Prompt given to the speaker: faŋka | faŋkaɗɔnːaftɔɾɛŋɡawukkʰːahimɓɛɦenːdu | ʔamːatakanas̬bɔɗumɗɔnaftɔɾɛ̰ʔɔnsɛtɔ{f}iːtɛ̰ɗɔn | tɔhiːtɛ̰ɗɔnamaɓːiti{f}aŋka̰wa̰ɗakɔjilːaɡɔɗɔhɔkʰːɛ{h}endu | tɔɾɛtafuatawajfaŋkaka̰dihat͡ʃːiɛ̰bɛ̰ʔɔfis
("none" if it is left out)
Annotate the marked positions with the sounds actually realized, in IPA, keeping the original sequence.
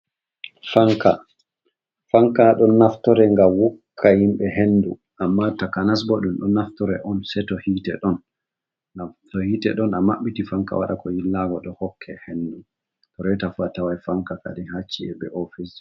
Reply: h, f, h

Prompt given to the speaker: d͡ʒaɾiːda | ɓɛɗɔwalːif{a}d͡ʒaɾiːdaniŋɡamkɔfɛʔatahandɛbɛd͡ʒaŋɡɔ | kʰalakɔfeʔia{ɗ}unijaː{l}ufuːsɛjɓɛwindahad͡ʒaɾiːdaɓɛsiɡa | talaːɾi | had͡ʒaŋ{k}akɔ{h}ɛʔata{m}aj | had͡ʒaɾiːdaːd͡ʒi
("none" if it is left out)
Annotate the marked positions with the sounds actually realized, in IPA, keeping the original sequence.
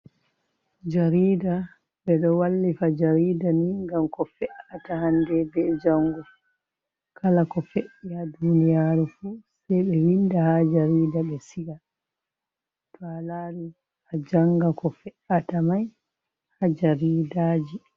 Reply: a, d, ɾ, ɡ, f, m

